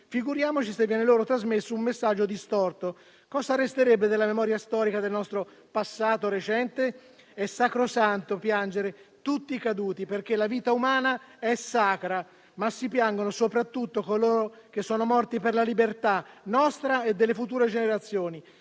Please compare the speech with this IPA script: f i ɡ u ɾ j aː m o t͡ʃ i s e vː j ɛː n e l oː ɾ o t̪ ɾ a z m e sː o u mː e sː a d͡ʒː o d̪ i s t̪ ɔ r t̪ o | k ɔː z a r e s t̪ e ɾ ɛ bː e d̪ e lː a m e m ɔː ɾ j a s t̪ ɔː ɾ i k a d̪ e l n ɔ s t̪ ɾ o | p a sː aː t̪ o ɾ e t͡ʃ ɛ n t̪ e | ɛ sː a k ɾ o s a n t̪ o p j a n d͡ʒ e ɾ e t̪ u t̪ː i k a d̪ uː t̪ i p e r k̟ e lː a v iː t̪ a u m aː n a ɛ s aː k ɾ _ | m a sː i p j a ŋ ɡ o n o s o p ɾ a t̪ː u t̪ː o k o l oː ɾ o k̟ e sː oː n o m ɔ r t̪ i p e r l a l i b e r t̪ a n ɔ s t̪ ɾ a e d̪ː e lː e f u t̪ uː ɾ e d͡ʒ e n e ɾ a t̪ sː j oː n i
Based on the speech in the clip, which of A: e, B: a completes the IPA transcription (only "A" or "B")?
B